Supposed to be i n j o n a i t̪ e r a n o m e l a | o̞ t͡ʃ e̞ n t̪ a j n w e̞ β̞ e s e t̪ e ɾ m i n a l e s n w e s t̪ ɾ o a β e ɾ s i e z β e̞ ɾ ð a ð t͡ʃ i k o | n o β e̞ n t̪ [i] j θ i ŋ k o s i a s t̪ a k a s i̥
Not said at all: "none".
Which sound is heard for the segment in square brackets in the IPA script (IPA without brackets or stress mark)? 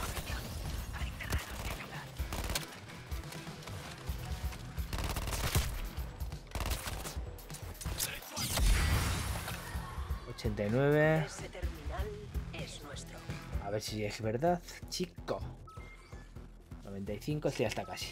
a